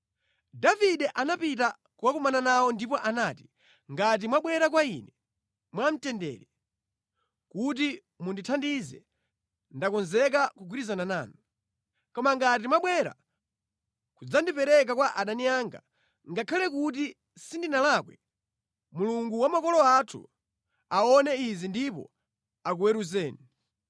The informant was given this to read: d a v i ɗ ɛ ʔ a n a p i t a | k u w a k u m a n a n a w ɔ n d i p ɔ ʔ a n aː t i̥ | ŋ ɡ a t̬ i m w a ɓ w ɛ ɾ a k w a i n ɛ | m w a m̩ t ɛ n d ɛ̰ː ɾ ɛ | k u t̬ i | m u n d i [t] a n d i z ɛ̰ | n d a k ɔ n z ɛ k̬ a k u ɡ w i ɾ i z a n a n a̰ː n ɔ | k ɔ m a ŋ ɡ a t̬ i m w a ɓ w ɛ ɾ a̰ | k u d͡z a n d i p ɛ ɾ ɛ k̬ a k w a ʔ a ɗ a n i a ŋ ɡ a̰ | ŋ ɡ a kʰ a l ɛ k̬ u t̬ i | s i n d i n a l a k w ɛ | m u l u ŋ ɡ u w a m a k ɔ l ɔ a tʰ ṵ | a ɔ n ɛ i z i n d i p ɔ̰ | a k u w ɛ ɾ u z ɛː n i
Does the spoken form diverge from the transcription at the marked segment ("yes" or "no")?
yes